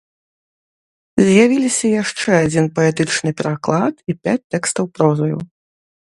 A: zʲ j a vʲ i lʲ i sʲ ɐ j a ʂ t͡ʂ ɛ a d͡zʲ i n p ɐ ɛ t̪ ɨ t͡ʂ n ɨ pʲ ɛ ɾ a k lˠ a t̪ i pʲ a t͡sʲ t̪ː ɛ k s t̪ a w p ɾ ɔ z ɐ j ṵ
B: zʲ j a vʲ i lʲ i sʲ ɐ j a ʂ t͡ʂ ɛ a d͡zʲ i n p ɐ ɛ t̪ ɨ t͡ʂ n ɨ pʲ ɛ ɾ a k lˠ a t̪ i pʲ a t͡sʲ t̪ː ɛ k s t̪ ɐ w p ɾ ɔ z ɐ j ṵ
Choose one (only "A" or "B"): B